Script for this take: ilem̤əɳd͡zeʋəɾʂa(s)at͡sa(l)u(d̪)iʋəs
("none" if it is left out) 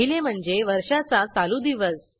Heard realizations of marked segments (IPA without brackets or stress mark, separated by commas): t͡s, l, d̪